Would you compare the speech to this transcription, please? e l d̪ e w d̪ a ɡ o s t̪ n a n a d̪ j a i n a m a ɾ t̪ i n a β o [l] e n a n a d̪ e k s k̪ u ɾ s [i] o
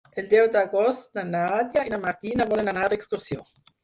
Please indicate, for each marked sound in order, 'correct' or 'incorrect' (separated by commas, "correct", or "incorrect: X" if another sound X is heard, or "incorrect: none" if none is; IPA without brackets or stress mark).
correct, incorrect: j